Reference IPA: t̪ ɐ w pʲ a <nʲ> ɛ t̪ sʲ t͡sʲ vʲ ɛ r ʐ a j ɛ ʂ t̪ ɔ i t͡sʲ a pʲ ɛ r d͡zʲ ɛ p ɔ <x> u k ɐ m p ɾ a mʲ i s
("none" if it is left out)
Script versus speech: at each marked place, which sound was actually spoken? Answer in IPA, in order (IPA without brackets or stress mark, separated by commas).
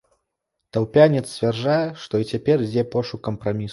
nʲ, ʂ